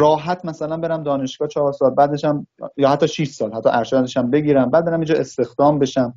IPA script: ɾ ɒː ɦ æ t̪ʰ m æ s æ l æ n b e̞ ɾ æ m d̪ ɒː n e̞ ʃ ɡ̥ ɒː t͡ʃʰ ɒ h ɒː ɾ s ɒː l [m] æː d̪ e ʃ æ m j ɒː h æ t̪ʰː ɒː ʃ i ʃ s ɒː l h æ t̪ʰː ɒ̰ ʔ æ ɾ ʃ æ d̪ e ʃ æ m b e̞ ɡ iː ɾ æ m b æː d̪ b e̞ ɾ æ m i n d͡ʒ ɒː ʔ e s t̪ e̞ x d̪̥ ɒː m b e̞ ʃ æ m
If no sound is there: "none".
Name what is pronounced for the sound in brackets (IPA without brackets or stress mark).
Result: b